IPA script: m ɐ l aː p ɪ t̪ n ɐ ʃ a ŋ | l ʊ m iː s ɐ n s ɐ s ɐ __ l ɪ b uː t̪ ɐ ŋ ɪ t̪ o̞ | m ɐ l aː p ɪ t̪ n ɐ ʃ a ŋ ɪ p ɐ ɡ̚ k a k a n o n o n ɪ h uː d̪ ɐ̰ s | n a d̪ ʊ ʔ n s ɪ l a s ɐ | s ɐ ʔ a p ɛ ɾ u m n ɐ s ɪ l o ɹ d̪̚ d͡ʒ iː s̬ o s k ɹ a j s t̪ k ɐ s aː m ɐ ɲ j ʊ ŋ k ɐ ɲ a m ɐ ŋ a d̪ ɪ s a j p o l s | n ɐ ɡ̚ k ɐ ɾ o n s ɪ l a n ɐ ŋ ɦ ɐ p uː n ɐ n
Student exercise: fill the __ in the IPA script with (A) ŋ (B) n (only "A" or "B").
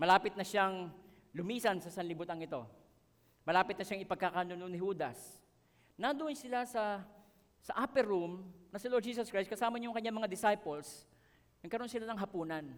B